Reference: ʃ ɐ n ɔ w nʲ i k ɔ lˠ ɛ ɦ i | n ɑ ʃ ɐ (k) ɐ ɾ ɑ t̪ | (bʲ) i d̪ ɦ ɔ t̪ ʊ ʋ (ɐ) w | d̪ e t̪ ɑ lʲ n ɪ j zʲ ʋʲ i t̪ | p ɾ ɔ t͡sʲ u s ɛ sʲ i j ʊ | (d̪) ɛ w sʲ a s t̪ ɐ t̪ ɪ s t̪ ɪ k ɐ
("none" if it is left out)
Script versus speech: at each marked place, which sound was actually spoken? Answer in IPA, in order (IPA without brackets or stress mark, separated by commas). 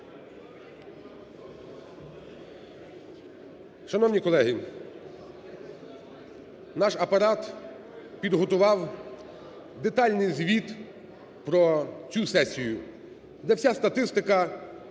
p, pʲ, ɑ, d̪